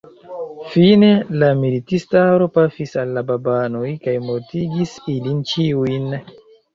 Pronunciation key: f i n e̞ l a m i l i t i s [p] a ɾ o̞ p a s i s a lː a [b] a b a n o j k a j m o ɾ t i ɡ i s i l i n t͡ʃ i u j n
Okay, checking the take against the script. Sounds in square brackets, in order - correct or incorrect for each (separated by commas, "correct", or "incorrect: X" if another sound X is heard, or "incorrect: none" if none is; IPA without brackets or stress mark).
incorrect: t, correct